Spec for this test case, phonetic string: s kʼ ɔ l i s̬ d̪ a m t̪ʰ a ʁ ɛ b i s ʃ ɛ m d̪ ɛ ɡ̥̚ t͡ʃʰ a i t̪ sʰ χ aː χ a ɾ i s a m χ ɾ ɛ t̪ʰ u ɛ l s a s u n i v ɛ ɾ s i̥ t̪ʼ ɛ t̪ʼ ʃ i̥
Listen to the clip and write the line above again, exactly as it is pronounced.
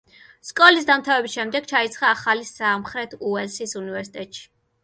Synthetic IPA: s kʼ ɔ l i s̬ d̪ a m t̪ʰ a v ɛ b i s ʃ ɛ m d̪ ɛ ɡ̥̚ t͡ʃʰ a i t̪ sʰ χ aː χ a l i s a m χ ɾ ɛ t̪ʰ u ɛ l s i s u n i v ɛ ɾ s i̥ t̪ʼ ɛ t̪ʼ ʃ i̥